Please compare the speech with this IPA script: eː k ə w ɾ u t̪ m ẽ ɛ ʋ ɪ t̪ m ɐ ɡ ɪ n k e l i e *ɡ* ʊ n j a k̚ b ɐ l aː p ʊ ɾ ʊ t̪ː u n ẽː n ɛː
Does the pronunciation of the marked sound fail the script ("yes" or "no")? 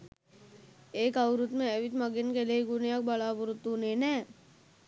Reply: no